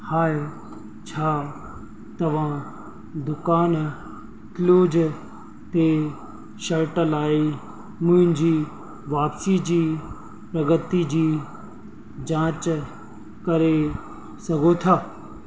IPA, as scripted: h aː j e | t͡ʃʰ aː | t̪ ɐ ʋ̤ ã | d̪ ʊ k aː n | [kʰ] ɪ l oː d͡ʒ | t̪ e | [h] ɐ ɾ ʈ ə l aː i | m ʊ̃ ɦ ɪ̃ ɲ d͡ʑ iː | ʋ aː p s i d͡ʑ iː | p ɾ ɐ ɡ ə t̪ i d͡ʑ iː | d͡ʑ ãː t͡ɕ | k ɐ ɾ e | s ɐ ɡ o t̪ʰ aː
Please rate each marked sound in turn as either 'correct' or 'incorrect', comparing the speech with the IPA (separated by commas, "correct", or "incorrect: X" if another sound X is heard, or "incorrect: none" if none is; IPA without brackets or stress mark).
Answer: incorrect: k, incorrect: ʃ